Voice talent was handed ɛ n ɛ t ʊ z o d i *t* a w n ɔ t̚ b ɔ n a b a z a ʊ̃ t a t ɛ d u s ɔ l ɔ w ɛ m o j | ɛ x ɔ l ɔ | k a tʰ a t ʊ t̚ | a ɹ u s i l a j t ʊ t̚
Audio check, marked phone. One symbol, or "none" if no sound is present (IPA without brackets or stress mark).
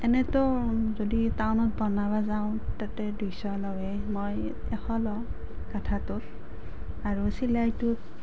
t